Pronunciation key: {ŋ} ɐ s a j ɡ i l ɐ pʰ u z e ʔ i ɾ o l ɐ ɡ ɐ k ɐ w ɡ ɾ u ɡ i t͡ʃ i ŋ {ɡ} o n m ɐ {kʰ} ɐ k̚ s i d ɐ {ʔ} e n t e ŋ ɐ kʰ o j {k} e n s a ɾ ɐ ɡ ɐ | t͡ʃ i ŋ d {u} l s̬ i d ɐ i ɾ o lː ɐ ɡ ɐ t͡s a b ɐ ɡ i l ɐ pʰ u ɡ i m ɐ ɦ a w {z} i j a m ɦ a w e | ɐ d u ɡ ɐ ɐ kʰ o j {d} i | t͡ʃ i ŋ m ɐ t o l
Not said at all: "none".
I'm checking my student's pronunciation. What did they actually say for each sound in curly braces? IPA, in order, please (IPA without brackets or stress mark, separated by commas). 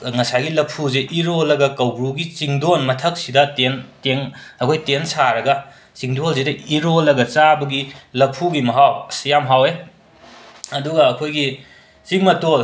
ŋ, d, tʰ, t, t, o, s, ɡ